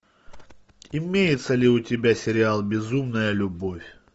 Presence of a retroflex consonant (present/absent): absent